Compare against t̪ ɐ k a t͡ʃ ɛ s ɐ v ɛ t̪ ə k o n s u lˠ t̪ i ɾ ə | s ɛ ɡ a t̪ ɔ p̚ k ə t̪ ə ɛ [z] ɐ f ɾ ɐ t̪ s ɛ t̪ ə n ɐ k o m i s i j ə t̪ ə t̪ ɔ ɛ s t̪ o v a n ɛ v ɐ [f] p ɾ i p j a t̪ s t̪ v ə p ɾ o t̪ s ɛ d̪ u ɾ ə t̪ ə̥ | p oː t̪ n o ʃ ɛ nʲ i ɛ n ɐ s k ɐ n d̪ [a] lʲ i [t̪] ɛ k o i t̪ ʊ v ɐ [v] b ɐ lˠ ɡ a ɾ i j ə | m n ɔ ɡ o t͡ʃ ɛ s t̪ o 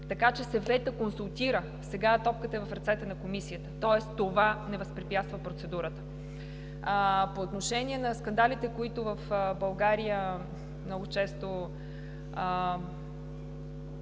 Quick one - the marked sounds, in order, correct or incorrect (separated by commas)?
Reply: incorrect, incorrect, correct, correct, incorrect